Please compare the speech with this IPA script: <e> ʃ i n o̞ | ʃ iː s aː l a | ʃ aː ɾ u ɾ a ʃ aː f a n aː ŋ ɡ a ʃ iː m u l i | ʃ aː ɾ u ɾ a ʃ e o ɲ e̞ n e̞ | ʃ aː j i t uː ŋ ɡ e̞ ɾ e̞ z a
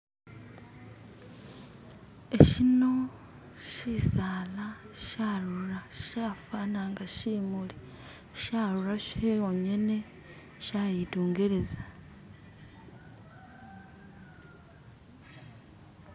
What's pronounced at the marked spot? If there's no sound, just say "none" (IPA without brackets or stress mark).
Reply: e